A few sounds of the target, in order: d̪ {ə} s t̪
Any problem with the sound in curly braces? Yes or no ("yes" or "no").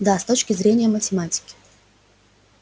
yes